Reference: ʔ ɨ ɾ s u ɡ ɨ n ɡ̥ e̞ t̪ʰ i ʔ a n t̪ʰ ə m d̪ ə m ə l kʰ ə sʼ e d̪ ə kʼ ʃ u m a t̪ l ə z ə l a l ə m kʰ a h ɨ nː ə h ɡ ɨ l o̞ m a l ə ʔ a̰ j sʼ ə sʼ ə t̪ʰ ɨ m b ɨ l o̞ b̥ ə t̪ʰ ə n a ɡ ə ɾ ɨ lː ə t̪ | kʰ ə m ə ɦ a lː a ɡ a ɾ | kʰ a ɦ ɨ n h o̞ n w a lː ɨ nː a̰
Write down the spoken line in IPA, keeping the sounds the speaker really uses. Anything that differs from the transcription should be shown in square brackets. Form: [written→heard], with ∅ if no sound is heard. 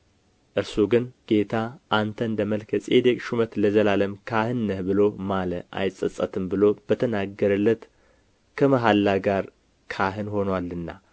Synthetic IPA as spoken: ʔ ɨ ɾ s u ɡ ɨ n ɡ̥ e̞ t̪ʰ [i→a] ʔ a n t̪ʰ ə [m→n] d̪ ə m ə l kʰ ə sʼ e d̪ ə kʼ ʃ u m [a→ə] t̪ l ə z ə l a l ə m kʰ a h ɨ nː ə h [ɡ→b] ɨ l o̞ m a l ə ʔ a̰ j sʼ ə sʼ ə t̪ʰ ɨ m b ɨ l o̞ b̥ ə t̪ʰ ə n a ɡ ə ɾ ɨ lː ə t̪ | kʰ ə m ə ɦ a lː a ɡ a ɾ | kʰ a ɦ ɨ n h o̞ n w a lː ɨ nː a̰